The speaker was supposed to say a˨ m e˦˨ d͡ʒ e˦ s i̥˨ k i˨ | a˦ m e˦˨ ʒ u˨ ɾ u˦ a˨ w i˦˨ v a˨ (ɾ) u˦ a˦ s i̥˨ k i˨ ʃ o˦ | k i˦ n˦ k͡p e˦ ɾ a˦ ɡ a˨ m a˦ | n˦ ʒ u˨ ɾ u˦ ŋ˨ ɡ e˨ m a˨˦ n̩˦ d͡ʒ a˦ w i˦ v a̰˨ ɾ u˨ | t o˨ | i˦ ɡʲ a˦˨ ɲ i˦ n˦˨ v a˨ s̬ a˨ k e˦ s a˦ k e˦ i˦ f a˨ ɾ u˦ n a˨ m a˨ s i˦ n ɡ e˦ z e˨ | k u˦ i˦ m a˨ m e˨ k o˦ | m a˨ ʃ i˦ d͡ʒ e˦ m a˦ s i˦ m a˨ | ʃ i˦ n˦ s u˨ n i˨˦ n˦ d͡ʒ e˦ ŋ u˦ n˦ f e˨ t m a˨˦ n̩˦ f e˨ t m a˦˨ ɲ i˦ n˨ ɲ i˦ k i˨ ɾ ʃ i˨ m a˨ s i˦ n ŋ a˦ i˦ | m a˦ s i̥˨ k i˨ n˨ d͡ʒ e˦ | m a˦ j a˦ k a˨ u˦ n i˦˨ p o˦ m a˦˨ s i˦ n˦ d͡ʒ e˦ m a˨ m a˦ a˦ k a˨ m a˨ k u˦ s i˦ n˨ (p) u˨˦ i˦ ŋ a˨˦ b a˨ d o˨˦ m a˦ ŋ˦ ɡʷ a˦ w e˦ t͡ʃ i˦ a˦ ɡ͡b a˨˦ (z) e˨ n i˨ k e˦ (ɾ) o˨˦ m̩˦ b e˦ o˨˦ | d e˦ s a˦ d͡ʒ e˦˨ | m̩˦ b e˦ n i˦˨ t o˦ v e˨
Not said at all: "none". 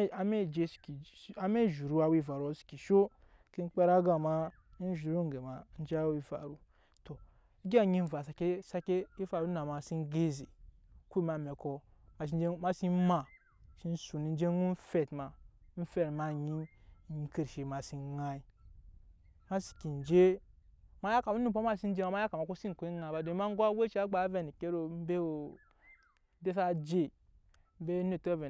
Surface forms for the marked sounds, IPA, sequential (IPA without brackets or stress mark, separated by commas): ɾ, k, v, ɾ